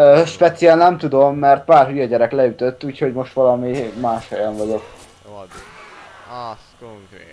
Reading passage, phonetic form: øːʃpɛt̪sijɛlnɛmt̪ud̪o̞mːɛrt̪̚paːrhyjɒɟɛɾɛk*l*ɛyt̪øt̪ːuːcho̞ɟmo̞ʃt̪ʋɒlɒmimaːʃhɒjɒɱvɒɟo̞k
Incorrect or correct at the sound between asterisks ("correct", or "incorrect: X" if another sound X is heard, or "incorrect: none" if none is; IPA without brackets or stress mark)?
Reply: correct